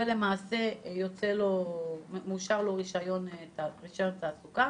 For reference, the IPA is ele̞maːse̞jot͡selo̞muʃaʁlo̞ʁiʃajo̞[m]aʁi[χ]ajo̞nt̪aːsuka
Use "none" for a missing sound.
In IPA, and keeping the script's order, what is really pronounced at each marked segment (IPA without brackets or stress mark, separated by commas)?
n, ʃ